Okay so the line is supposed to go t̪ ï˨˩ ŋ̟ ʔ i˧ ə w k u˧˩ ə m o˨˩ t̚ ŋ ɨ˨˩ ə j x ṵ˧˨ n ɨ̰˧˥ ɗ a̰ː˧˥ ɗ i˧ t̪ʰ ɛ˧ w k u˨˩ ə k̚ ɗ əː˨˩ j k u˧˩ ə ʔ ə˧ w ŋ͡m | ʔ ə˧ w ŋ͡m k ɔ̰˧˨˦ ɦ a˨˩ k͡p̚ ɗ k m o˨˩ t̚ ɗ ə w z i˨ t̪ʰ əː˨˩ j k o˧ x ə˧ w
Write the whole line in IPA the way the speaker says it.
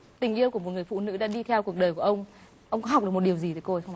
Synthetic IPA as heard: t̪ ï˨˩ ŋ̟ ʔ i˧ ə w k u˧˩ ə m o˨˩ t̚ ŋ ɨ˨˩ ə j f ṵ˧˨ n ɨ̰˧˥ ɗ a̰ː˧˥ ɗ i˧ t̪ʰ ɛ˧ w k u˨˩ ə k̚ ɗ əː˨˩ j k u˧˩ ə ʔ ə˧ w ŋ͡m | ʔ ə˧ w ŋ͡m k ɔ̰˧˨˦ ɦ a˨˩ k͡p̚ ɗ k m o˨˩ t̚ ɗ ə w z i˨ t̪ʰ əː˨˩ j k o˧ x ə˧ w